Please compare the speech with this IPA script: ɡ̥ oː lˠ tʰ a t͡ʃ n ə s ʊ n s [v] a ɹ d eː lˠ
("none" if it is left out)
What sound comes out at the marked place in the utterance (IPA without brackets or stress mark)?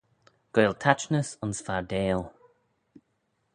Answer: f